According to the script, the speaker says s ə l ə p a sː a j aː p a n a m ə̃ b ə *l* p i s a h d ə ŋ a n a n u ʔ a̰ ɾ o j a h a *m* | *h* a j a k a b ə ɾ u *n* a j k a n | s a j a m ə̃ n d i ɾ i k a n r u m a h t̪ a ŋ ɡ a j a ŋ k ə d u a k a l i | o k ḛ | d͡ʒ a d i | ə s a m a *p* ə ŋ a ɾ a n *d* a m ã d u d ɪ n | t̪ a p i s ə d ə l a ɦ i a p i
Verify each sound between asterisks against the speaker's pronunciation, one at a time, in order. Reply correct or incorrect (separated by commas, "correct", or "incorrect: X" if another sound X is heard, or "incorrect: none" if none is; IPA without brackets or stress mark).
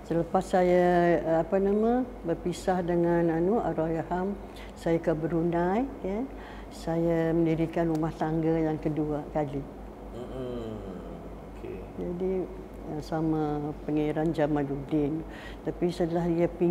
incorrect: r, correct, incorrect: s, correct, correct, incorrect: d͡ʒ